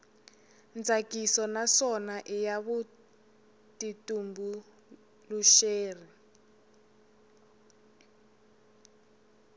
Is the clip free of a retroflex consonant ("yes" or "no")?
yes